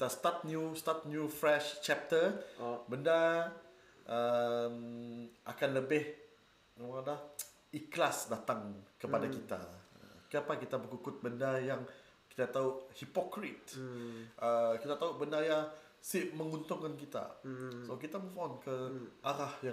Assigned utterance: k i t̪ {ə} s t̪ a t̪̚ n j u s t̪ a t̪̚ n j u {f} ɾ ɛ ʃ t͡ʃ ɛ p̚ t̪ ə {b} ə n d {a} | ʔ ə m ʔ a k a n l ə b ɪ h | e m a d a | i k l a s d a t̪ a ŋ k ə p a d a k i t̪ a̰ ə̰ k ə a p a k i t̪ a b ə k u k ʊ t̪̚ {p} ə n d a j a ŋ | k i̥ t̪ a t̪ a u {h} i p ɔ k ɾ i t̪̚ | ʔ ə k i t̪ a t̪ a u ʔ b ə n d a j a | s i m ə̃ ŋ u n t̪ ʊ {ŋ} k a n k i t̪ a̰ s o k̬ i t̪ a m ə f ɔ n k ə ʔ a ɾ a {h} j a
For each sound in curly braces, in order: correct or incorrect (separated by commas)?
incorrect, correct, correct, correct, incorrect, correct, correct, correct